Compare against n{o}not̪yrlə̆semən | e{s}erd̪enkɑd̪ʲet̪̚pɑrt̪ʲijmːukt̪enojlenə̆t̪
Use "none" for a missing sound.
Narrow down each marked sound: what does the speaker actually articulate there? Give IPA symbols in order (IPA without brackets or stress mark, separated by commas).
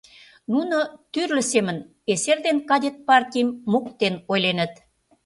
u, s